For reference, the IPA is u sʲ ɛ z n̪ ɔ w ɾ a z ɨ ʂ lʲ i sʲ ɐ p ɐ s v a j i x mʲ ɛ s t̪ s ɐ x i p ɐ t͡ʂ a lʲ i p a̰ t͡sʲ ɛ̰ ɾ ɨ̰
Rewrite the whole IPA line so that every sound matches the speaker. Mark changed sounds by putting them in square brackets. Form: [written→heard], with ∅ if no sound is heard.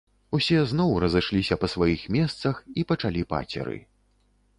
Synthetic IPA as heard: u sʲ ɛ z n̪ ɔ w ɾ [a→ɐ] z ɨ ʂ lʲ i sʲ ɐ p ɐ s v a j i x mʲ ɛ s t̪ s ɐ x i p ɐ t͡ʂ a lʲ i p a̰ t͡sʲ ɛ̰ ɾ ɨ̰